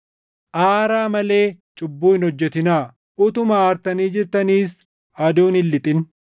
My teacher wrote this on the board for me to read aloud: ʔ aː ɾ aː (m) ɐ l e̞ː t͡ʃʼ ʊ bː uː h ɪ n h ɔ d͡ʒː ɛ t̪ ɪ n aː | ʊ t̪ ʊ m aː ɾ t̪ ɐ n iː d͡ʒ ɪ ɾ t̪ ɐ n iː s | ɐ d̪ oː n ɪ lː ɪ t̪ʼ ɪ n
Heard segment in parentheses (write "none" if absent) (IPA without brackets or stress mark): m